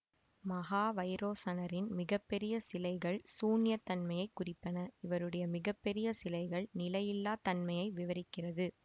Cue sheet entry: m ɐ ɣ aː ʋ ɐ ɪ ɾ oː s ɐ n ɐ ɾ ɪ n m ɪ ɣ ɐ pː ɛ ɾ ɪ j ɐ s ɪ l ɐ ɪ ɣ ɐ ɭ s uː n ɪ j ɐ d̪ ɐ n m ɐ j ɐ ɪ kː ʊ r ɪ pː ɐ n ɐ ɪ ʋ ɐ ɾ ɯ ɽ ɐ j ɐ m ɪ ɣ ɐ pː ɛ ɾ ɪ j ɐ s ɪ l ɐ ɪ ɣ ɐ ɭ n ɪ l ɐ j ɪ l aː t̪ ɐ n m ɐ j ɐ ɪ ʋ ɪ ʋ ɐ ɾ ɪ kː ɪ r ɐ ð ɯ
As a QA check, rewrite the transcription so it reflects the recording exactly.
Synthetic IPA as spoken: m ɐ ɣ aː ʋ ɐ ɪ ɾ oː s ɐ n ɐ ɾ ɪ n m ɪ ɣ ɐ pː ɛ ɾ ɪ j ɐ s ɪ l ɐ ɪ ɣ ɐ ɭ s uː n ɪ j ɐ t̪ ɐ n m ɐ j ɐ ɪ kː ʊ r ɪ pː ɐ n ɐ ɪ ʋ ɐ ɾ ɯ ɽ ɐ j ɐ m ɪ ɣ ɐ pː ɛ ɾ ɪ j ɐ s ɪ l ɐ ɪ ɣ ɐ ɭ n ɪ l ɐ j ɪ lː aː t̪ ɐ n m ɐ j ɐ ɪ ʋ ɪ ʋ ɐ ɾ ɪ kː ɪ r ɐ ð ɯ